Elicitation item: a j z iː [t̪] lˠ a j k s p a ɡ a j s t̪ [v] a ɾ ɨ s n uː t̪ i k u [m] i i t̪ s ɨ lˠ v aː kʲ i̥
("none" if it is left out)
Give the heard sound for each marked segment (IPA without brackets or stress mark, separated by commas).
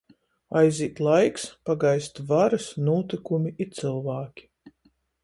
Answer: t̪, v, m